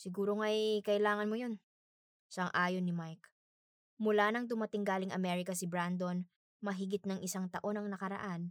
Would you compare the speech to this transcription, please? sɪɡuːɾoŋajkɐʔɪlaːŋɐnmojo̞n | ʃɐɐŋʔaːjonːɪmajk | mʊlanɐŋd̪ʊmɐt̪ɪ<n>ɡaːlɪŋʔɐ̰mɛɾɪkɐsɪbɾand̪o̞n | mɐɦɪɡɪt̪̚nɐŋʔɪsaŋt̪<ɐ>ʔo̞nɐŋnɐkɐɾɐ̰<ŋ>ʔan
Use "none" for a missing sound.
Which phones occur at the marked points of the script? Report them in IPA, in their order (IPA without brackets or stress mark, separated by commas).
ŋ, ɐ, none